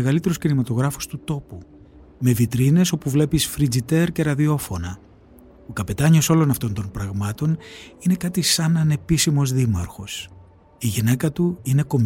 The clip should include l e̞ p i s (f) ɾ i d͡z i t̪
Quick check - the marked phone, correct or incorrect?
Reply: correct